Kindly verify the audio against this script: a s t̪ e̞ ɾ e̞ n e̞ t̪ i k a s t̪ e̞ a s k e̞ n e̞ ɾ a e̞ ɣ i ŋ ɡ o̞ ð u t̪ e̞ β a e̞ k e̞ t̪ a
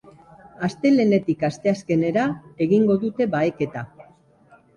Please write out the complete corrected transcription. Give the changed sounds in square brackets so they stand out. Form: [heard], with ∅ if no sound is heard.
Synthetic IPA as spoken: a s t̪ e̞ [l] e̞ n e̞ t̪ i k a s t̪ e̞ a s k e̞ n e̞ ɾ a e̞ ɣ i ŋ ɡ o̞ ð u t̪ e̞ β a e̞ k e̞ t̪ a